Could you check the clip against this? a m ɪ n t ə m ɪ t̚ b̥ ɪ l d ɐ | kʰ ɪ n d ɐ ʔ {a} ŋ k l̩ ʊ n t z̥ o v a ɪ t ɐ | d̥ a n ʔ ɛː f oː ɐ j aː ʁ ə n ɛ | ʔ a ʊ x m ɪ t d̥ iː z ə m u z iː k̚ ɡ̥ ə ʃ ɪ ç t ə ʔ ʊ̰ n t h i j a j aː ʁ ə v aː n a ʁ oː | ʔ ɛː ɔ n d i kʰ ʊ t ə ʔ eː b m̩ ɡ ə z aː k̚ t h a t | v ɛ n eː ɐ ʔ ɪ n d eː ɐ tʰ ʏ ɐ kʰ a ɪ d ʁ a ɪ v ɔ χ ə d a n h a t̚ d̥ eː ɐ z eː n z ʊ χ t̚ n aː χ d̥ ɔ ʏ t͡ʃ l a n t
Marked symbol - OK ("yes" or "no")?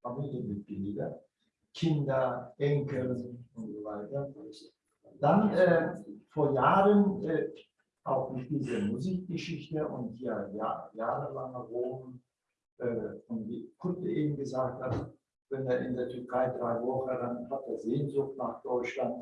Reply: no